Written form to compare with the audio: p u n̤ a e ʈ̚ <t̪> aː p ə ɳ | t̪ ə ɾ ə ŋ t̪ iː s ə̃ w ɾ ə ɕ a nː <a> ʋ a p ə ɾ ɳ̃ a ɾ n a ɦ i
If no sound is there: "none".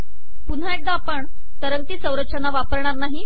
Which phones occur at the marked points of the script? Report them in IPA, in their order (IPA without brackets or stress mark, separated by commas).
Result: d̪, a